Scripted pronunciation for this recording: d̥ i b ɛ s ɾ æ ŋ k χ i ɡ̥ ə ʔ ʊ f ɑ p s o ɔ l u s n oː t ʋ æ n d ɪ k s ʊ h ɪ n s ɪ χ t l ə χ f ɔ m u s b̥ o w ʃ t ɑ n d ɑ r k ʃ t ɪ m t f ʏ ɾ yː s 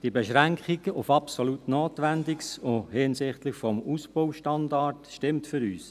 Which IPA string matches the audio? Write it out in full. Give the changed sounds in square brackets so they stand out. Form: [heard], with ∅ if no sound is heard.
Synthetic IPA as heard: d̥ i b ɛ [ʃ] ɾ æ ŋ k χ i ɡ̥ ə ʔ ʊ f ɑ p s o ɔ l u [t] n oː t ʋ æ n d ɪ k s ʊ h ɪ n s ɪ χ t l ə χ f ɔ m u s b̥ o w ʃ t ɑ n d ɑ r [t] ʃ t ɪ m t f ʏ ɾ yː s